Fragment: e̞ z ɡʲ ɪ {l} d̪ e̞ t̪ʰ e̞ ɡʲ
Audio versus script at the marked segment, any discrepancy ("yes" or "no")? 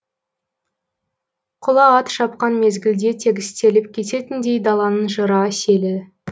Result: no